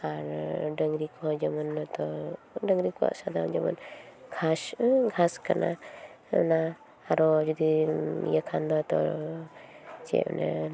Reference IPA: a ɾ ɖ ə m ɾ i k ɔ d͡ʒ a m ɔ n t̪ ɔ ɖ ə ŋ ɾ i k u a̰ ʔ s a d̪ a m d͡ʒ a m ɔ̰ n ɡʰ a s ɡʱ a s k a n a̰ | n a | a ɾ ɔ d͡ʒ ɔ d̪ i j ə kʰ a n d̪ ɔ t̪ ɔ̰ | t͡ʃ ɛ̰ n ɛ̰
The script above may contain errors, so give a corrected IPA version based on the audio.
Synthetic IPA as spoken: a ɾ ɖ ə ŋ ɾ i k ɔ d͡ʒ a m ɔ n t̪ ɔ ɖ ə ŋ ɾ i k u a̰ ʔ s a d̪ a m d͡ʒ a m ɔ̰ n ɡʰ a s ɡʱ a s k a n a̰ | n a | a ɾ ɔ d͡ʒ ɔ d̪ i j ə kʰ a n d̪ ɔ t̪ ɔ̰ | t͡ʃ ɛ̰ n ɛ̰